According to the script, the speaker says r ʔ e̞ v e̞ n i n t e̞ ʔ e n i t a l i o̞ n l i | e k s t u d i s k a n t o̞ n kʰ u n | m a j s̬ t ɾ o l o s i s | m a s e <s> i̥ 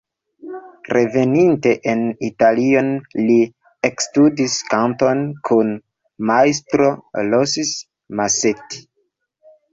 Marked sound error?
yes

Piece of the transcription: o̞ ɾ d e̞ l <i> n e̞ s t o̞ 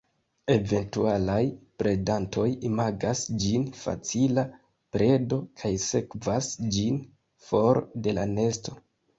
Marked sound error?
yes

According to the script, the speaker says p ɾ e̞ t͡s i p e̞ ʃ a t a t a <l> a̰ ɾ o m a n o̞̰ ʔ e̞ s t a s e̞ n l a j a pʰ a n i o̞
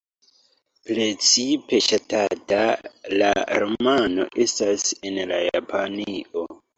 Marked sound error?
no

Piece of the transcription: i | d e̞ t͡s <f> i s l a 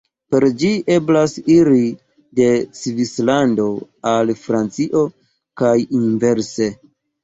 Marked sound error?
yes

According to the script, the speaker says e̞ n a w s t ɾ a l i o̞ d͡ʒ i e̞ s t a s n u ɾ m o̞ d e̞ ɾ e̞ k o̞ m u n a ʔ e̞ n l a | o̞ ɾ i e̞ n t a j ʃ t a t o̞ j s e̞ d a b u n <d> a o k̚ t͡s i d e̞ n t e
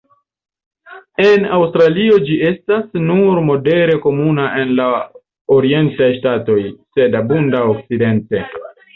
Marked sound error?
no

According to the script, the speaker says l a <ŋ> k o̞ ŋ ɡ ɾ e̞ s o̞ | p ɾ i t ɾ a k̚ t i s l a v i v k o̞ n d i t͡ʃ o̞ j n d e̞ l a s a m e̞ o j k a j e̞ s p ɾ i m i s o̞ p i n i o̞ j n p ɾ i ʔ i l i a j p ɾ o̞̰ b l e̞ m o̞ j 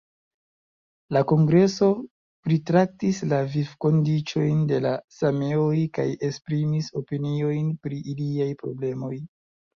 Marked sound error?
yes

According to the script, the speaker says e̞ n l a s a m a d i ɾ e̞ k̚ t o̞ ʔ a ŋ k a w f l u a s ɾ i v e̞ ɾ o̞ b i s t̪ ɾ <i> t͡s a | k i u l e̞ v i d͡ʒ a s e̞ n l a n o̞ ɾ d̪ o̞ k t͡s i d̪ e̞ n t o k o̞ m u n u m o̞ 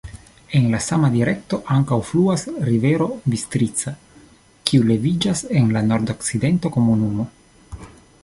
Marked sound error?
no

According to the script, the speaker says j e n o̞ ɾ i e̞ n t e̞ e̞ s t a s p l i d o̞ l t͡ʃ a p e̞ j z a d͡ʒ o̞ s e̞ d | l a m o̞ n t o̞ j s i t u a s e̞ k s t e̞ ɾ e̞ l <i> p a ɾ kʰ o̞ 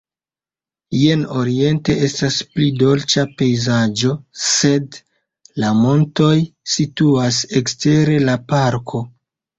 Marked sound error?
yes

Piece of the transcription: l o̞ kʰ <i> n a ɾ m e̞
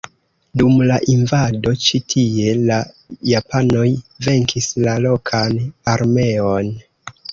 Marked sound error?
yes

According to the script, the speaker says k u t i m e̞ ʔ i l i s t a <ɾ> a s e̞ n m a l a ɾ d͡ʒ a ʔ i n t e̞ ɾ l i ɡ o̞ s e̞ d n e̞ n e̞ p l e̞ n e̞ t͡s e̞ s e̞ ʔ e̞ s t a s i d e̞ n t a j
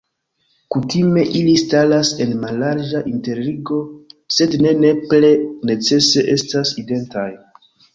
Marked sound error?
yes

